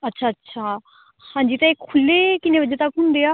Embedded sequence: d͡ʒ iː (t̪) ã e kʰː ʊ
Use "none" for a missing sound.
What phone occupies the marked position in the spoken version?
t̪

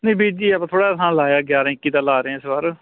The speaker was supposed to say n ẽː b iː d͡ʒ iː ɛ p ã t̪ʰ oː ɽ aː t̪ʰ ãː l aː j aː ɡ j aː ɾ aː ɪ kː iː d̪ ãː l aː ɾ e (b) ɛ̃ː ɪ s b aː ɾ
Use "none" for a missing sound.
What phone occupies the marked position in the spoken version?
none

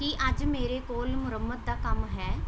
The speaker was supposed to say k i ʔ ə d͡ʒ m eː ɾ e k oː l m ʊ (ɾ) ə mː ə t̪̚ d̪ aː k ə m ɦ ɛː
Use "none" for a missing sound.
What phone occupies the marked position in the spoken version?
ɾ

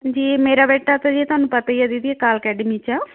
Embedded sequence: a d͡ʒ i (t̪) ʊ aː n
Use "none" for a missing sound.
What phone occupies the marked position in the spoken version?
t̪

